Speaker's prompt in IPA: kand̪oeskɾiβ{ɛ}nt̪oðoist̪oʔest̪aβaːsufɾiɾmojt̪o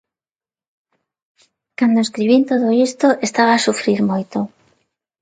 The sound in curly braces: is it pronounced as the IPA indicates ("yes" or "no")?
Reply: no